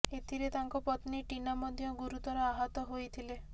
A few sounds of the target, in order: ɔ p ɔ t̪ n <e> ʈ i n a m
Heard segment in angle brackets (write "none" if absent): i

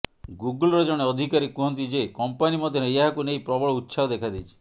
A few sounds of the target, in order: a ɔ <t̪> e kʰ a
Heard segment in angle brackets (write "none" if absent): d̪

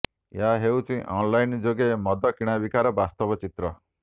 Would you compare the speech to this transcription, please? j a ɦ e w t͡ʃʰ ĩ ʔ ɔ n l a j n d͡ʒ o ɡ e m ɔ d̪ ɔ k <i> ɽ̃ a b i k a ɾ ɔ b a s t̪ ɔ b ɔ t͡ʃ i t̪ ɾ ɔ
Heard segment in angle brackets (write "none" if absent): i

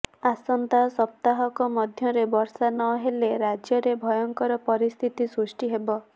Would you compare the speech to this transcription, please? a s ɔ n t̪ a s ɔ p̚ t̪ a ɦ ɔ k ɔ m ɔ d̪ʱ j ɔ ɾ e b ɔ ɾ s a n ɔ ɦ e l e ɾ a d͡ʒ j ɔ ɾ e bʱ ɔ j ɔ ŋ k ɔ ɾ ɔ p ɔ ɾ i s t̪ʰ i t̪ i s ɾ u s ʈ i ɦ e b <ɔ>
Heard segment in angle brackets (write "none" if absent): ɔ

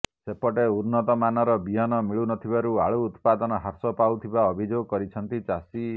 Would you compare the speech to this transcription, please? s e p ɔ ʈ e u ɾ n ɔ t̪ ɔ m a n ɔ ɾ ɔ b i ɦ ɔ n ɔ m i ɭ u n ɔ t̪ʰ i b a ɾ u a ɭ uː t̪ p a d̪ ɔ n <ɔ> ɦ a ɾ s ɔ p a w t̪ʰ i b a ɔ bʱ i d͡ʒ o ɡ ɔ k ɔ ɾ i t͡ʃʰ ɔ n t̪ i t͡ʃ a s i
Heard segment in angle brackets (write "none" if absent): ɔ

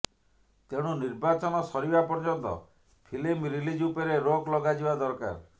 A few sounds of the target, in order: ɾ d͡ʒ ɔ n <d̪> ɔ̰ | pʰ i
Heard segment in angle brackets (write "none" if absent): t̪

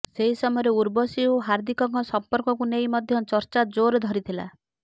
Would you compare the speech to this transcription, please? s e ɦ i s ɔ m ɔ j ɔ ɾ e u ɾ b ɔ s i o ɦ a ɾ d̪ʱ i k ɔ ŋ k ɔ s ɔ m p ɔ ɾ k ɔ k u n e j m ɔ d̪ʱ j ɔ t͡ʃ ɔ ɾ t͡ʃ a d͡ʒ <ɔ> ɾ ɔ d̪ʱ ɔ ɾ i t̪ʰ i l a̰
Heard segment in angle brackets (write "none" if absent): o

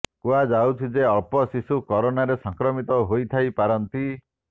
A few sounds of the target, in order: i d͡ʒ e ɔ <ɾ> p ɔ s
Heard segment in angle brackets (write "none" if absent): ɭ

